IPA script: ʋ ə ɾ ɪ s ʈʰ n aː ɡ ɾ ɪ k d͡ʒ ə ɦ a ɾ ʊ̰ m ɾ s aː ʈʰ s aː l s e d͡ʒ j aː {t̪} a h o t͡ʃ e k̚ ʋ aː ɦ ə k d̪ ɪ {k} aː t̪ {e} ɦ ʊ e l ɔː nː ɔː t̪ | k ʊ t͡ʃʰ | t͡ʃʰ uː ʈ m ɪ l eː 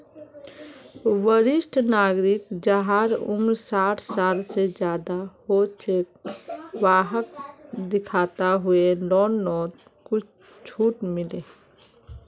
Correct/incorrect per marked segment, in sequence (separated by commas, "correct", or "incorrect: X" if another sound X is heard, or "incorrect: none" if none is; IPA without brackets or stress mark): incorrect: d̪, incorrect: kʰ, incorrect: a